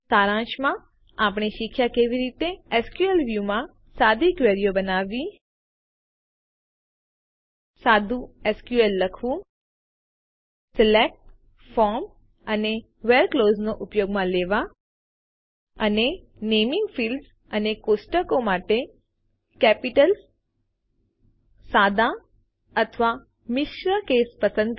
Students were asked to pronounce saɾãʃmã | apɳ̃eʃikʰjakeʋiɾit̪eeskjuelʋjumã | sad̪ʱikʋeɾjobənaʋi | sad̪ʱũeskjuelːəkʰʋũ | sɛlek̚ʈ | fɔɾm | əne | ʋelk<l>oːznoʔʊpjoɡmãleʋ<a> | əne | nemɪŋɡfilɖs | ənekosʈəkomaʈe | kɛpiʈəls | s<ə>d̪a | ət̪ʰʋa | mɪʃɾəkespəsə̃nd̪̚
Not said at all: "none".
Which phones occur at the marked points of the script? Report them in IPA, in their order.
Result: l, a, a

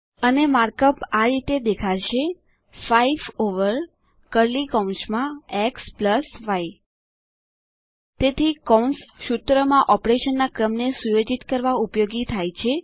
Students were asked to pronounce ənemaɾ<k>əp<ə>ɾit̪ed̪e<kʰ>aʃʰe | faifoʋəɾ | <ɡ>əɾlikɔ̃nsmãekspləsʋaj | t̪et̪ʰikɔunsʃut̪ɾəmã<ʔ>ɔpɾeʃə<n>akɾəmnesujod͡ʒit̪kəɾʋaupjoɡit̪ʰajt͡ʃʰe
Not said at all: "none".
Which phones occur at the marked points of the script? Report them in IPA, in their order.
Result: k, a, kʰ, k, ʔ, nː

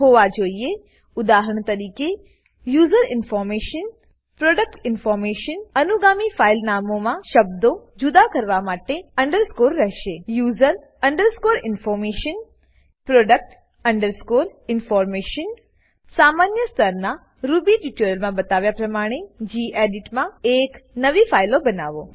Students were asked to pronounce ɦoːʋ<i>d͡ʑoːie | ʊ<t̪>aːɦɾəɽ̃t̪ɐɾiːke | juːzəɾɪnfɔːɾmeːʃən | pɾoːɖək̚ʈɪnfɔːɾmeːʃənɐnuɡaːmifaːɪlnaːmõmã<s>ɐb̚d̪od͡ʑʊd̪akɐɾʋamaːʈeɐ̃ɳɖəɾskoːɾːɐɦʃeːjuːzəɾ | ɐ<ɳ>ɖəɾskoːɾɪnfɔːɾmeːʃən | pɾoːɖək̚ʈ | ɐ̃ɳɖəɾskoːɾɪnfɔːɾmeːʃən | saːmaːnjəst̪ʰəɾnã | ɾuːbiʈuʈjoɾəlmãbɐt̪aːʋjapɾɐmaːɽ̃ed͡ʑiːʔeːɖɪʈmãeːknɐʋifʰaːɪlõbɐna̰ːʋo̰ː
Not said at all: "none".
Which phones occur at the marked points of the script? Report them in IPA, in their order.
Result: a, d̪, ʃ, ɳ

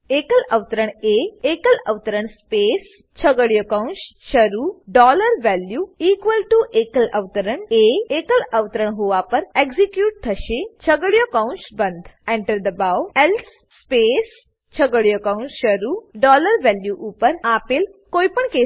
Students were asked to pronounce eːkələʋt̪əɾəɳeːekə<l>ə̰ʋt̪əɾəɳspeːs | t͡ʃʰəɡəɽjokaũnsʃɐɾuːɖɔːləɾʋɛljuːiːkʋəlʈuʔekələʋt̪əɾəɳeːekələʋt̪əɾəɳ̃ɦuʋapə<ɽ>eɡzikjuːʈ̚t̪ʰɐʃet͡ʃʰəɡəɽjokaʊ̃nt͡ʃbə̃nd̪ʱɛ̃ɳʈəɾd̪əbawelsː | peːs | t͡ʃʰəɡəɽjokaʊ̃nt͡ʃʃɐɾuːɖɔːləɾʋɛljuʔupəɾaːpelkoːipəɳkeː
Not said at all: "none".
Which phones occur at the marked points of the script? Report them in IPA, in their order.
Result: l, ɾ

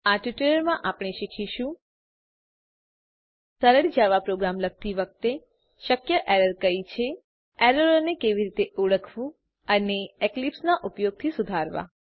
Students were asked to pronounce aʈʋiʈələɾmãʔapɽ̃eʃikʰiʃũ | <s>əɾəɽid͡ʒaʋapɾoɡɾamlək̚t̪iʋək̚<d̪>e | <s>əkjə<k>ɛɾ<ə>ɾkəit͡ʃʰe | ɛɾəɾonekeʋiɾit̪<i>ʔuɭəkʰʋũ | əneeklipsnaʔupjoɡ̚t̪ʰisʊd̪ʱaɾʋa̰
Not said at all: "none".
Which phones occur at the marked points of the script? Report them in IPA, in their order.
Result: s, t̪, ʃ, ʔ, ə, e

